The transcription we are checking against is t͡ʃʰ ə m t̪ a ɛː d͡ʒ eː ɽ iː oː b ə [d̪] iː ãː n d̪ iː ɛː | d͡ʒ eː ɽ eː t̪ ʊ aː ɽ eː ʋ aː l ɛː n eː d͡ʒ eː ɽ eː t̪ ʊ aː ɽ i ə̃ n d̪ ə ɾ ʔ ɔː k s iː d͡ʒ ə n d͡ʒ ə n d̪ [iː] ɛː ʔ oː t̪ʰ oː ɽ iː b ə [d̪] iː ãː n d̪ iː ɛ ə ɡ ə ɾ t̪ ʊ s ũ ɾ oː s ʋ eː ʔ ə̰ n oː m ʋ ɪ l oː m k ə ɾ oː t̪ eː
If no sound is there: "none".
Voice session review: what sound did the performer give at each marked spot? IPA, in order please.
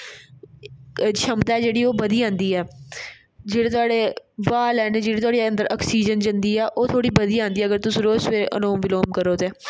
d̪, iː, d̪

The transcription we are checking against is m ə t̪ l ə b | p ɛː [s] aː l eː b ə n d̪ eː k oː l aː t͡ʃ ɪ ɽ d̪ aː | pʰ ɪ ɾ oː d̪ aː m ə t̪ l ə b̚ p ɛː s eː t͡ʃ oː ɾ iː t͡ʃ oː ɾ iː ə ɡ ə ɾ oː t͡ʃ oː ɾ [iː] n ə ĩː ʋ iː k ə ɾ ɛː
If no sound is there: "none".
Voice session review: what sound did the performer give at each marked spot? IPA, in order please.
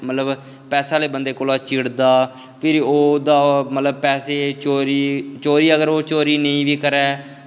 s, iː

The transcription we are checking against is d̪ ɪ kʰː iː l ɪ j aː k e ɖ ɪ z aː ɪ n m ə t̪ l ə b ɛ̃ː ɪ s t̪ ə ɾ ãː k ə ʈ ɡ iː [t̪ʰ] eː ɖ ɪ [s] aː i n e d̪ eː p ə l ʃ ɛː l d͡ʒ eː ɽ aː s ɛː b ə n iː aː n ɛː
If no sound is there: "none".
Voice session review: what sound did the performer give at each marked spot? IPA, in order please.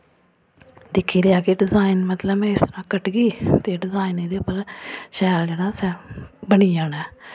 t̪, z

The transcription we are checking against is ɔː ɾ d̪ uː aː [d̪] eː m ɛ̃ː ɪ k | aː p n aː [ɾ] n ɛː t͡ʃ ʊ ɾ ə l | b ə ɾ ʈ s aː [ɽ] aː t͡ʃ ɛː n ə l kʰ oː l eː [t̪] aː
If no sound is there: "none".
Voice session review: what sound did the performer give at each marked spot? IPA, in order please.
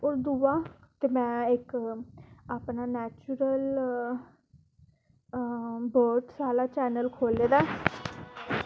t̪, none, l, d̪

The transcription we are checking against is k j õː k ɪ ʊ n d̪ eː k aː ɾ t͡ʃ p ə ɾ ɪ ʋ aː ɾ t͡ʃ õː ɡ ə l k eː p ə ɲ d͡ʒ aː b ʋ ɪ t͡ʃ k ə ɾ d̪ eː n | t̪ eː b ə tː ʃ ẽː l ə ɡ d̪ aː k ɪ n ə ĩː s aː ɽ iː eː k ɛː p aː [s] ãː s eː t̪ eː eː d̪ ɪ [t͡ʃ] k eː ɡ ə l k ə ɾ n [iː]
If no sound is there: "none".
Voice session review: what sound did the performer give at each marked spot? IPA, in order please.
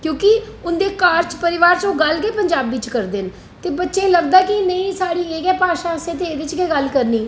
ʃ, t͡ʃ, iː

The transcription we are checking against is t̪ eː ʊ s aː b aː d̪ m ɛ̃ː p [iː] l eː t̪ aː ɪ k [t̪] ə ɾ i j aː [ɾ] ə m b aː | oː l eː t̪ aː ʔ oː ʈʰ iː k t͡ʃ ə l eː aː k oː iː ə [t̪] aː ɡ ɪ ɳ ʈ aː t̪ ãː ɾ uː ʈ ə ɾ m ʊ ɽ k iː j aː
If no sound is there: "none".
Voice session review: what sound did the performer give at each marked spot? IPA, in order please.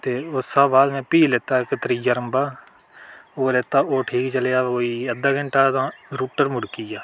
iː, t̪, ɾ, d̪

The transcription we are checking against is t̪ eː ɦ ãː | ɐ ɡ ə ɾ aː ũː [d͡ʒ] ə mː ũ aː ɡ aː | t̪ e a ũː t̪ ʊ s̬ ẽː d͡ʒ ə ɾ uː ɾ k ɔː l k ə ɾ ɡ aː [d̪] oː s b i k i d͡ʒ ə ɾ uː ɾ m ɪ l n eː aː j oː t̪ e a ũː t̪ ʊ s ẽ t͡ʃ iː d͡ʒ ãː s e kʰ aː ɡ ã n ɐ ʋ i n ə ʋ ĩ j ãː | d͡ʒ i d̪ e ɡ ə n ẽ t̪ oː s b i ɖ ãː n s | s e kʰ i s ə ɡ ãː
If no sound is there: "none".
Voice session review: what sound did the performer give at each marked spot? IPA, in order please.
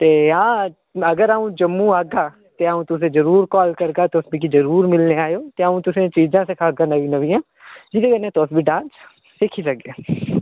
d͡ʒ, t̪

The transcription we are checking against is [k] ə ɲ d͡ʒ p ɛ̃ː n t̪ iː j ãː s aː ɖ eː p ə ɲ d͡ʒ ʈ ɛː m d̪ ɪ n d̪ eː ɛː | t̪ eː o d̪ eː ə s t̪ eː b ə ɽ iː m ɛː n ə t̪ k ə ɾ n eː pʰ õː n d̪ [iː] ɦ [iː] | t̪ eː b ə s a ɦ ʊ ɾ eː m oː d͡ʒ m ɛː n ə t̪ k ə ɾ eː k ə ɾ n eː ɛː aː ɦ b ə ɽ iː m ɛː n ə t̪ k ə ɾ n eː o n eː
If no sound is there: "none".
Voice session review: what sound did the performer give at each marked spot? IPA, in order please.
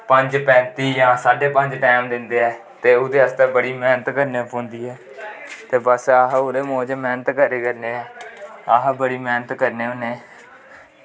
p, iː, ɛː

